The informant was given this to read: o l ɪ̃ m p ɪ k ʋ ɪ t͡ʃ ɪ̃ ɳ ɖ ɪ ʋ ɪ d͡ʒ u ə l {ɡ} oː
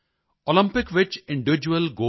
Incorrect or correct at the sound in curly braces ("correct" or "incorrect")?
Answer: correct